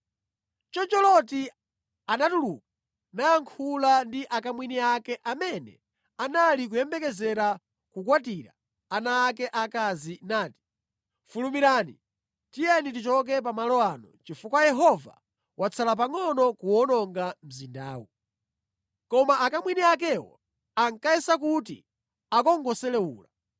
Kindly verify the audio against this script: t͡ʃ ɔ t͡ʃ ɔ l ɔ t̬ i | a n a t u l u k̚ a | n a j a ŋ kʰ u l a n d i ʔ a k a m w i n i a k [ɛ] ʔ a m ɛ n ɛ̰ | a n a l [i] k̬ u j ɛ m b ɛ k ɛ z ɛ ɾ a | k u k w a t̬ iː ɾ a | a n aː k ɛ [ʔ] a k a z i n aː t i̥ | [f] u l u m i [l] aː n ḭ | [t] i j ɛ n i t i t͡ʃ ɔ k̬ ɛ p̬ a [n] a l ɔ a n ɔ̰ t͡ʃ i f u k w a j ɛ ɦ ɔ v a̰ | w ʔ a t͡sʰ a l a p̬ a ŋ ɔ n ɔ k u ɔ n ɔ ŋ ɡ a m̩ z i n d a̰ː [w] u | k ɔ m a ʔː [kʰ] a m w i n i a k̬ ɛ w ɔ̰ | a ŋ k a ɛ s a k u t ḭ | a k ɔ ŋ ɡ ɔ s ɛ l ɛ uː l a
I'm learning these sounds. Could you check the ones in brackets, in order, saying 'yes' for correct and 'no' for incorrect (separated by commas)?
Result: yes, yes, yes, yes, no, yes, no, yes, no